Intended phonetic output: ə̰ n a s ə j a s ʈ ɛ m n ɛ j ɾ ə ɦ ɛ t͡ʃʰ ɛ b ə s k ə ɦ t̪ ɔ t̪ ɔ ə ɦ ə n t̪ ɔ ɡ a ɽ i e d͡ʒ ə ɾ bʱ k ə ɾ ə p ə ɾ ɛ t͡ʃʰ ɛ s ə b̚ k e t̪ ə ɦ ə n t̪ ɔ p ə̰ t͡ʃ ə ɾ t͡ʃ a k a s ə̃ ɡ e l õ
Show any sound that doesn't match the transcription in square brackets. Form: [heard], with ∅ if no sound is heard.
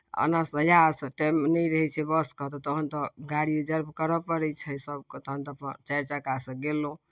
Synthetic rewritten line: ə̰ n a s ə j a s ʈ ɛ m n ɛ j ɾ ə ɦ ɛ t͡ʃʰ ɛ b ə s k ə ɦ t̪ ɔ t̪ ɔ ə ɦ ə n t̪ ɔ ɡ a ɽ i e d͡ʒ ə ɾ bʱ k ə ɾ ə p ə ɾ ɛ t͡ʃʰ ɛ s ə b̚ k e t̪ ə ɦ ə n t̪ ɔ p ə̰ t͡ʃ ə ɾ t͡ʃ a k a s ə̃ ɡ e l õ